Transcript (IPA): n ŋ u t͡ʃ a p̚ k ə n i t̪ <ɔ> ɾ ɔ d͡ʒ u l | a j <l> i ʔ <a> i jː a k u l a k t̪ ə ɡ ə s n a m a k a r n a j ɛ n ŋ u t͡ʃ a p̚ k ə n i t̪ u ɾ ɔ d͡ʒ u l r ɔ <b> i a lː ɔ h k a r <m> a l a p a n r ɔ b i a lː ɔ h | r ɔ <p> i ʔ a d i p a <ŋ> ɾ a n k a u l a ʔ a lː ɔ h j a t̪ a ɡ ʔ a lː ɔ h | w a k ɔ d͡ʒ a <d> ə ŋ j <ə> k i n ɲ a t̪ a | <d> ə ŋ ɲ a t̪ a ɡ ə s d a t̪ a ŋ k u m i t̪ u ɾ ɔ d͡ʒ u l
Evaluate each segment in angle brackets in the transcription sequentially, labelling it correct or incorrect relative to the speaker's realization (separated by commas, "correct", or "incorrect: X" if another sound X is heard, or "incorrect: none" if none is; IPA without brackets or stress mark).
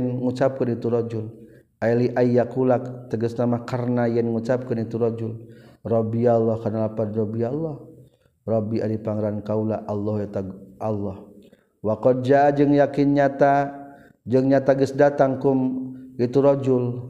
incorrect: u, correct, correct, correct, incorrect: n, incorrect: b, correct, incorrect: d͡ʒ, incorrect: a, incorrect: d͡ʒ